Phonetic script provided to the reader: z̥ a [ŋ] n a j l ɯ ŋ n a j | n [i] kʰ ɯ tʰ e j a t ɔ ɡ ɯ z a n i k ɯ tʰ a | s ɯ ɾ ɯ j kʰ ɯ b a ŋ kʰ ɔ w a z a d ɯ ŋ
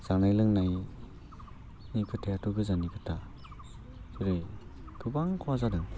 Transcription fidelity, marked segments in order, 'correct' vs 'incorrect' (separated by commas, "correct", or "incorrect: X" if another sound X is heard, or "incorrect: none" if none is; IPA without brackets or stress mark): correct, correct